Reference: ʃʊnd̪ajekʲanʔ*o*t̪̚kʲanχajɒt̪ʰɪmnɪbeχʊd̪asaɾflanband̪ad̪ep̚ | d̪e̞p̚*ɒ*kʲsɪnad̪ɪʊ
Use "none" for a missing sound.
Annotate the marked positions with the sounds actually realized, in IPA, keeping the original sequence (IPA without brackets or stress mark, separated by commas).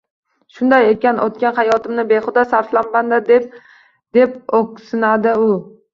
o, o